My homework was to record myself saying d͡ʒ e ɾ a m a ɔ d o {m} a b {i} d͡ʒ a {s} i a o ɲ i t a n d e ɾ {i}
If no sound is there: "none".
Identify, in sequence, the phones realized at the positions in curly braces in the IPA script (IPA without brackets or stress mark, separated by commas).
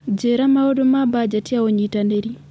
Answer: m, a, t, i